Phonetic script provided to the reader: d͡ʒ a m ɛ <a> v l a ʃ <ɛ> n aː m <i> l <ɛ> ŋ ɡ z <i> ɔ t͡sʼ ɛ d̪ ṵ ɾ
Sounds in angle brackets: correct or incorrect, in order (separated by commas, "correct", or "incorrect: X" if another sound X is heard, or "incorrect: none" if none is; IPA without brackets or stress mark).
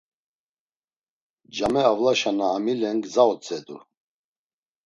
correct, incorrect: a, correct, correct, incorrect: a